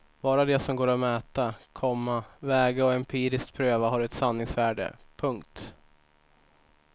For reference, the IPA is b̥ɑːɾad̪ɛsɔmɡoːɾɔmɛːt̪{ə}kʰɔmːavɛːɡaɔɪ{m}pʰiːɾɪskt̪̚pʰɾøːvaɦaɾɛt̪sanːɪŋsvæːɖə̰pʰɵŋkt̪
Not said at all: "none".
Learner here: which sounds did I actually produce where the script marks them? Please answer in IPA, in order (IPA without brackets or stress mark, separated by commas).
a, m